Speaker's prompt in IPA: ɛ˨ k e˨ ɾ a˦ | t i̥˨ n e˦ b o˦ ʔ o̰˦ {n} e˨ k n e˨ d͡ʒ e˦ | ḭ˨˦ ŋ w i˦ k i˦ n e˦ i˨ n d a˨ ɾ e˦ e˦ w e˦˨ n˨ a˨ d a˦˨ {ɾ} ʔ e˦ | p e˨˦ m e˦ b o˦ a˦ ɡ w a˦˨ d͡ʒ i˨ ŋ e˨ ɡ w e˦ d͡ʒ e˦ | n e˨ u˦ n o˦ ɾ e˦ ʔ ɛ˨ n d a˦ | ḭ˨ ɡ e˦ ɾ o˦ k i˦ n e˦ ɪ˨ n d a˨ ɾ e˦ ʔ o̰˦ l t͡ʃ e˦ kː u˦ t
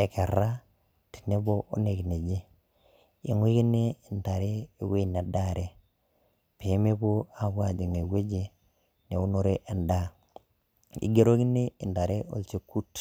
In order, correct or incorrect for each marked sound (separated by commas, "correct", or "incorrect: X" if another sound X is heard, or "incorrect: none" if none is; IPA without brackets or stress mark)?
correct, correct